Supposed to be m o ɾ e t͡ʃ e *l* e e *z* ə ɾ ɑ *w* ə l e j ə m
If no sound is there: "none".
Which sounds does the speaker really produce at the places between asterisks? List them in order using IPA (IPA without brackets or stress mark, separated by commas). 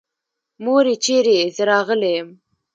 ɾ, z, ɣ